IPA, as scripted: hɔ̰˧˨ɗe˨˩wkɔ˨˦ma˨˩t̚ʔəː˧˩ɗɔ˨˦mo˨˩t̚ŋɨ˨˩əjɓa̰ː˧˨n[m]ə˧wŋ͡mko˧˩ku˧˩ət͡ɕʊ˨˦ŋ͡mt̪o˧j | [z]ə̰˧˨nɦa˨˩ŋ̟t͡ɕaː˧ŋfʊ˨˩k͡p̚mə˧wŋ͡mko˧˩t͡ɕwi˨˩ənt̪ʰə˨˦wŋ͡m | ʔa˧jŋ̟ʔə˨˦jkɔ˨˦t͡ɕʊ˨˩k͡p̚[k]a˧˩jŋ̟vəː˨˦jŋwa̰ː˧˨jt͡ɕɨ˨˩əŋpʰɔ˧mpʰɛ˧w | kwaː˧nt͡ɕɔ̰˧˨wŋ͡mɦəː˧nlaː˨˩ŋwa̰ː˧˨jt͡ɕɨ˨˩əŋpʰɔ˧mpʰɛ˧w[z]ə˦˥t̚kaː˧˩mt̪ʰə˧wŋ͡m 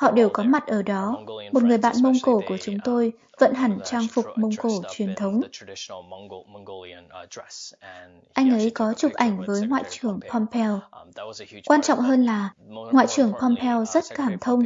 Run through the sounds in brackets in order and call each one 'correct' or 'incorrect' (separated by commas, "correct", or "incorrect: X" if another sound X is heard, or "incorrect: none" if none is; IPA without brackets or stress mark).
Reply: correct, incorrect: v, incorrect: ʔ, correct